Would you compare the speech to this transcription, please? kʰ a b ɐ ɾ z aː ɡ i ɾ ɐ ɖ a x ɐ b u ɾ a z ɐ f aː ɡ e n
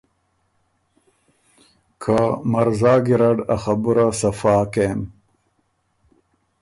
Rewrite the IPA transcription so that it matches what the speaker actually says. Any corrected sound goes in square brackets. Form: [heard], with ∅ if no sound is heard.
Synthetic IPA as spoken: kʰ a [m] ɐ ɾ z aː ɡ i ɾ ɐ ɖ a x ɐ b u ɾ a [s] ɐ f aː [k] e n